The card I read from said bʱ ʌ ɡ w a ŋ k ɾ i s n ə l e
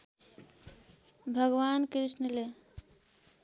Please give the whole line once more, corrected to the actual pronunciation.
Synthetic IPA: bʱ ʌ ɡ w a n k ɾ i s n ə l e